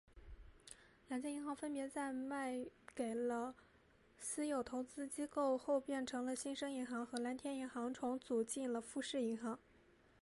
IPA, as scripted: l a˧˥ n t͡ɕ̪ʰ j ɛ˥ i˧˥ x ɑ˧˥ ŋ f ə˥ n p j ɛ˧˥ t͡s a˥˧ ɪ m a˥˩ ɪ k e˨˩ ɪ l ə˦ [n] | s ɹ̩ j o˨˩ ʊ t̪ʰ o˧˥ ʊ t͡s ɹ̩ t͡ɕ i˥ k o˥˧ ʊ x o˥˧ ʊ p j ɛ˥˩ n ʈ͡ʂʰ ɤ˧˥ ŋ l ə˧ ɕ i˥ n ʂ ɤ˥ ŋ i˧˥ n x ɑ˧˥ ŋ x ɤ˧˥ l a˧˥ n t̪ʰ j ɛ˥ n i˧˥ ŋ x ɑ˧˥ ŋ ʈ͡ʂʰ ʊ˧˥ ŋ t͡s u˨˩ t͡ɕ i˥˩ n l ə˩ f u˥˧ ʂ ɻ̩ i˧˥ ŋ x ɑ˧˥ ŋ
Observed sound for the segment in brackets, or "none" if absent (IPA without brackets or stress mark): none